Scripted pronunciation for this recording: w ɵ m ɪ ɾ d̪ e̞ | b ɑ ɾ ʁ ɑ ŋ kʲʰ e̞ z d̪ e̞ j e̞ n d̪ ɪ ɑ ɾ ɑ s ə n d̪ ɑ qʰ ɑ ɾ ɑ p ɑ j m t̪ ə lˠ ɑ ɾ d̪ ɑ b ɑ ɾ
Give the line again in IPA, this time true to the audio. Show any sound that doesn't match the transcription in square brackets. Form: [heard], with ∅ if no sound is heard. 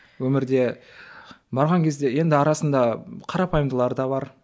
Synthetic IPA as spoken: w ɵ m ɪ ɾ d̪ e̞ | b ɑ ɾ ʁ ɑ ŋ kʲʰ e̞ z d̪ e̞ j e̞ n d̪ ɪ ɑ ɾ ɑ s ə n d̪ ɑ qʰ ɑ ɾ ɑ p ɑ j m [d̪] ə lˠ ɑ ɾ d̪ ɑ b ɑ ɾ

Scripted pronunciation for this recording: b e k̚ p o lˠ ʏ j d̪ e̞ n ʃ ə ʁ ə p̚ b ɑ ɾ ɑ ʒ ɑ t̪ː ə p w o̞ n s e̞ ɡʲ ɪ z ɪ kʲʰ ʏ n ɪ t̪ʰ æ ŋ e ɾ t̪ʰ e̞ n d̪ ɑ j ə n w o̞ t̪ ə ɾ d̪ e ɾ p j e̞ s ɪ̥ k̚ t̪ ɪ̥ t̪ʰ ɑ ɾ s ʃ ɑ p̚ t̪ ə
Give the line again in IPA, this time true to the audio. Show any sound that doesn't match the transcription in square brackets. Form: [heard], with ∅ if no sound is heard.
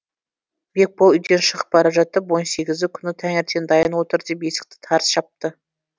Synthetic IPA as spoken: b e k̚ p o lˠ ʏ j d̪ e̞ n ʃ ə ʁ ə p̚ b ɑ ɾ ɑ ʒ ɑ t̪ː ə p w o̞ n s e̞ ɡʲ ɪ z ɪ kʲʰ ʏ n ɪ t̪ʰ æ ŋ e ɾ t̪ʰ e̞ n d̪ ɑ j ə n w o̞ t̪ ə ɾ d̪ e [∅] p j e̞ s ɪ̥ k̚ t̪ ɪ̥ t̪ʰ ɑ ɾ s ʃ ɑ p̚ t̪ ə

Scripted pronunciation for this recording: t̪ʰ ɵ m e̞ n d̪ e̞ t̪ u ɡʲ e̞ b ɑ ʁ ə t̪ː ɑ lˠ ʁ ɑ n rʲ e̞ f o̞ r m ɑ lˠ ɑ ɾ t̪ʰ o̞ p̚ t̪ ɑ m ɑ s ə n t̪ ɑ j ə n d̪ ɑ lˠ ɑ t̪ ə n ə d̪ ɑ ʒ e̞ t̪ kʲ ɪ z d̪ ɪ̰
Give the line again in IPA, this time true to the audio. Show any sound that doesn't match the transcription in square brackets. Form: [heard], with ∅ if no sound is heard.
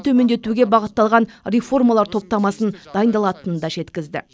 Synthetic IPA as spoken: t̪ʰ ɵ m e̞ n d̪ e̞ t̪ u ɡʲ e̞ b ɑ ʁ ə t̪ː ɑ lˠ ʁ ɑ n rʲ e̞ f o̞ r m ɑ lˠ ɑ ɾ t̪ʰ o̞ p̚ t̪ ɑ m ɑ s ə n [d̪] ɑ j ə n d̪ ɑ lˠ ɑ t̪ ə n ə d̪ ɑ ʒ e̞ t̪ kʲ ɪ z d̪ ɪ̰

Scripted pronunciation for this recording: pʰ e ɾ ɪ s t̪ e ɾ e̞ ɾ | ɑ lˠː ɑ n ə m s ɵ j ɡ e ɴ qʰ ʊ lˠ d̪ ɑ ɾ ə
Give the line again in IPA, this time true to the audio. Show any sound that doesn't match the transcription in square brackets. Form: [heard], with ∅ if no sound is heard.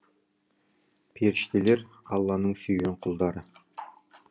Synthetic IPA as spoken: pʰ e ɾ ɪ [ʃ] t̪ e [l] e̞ ɾ | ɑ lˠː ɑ n ə [ɴ] s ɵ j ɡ e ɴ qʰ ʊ lˠ d̪ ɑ ɾ ə

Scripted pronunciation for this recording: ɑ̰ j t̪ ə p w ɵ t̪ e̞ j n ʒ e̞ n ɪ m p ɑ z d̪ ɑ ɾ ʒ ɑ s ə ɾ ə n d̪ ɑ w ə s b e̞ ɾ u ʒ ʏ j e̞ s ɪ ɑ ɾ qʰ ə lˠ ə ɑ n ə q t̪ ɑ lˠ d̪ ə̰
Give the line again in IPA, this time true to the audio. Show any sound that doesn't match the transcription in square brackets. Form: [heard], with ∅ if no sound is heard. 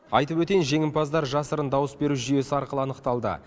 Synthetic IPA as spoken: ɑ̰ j t̪ ə p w ɵ t̪ e̞ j n ʒ e̞ [ŋ] ɪ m p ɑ z d̪ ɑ ɾ ʒ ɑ s ə ɾ ə n d̪ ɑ w ə s b e̞ ɾ u ʒ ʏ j e̞ s ɪ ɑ ɾ [q] ə lˠ ə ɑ n ə q t̪ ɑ lˠ d̪ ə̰

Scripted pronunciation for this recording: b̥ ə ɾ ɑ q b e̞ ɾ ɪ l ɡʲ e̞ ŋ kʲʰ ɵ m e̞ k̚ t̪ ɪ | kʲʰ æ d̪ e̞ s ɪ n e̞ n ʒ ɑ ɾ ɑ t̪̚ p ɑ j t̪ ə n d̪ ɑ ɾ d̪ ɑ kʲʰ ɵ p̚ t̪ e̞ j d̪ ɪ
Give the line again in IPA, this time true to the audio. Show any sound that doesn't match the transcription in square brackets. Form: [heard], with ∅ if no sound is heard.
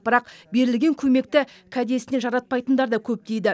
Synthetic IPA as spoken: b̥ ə ɾ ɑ q b e̞ ɾ ɪ l ɡʲ e̞ ŋ kʲʰ ɵ m e̞ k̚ t̪ ɪ | kʲʰ æ d̪ e̞ s ɪ n e̞ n ʒ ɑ ɾ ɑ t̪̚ p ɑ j t̪ ə n d̪ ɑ ɾ d̪ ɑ kʲʰ ɵ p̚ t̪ e̞ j d̪ ɪ

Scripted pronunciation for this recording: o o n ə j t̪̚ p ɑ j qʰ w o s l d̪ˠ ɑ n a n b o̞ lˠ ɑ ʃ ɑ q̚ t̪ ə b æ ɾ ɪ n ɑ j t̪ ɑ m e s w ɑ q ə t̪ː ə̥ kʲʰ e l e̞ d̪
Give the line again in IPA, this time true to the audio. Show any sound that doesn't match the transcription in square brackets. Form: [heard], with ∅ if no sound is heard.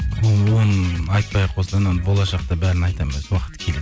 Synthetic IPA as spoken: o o n [ɑ] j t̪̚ p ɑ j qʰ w o s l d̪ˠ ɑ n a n b o̞ lˠ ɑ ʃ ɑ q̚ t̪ [ɑ] b æ ɾ ɪ n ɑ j t̪ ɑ m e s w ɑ q ə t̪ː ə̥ kʲʰ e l e̞ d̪

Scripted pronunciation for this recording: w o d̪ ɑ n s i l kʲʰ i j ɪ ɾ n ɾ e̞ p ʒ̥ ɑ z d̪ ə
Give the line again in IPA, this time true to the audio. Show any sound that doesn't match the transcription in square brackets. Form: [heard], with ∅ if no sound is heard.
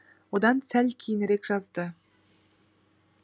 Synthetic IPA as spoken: w o d̪ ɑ n s [æ] l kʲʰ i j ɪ [∅] n ɾ e̞ [k] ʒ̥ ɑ z d̪ ə

